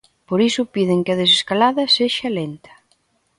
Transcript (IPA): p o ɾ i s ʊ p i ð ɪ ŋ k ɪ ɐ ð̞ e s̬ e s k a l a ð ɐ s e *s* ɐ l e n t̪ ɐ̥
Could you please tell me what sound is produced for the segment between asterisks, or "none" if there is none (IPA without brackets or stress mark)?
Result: ʃ